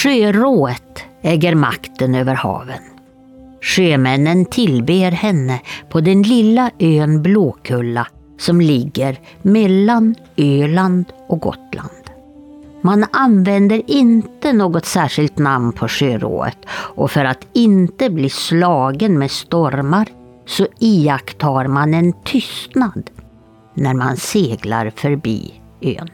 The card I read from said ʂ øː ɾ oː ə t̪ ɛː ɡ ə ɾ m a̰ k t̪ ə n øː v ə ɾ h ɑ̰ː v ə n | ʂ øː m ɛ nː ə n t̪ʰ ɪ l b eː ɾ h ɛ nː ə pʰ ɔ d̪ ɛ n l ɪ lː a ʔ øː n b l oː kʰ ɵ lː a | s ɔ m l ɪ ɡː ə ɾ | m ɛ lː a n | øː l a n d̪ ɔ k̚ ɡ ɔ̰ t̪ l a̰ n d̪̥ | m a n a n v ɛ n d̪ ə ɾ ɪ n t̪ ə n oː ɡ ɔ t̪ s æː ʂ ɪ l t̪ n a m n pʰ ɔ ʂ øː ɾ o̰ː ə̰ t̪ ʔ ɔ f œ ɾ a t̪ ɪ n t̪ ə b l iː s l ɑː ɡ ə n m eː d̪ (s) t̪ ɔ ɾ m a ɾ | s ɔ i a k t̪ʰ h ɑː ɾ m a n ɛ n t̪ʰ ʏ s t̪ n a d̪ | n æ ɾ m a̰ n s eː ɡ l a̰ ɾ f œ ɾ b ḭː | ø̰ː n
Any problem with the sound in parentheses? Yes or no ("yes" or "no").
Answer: no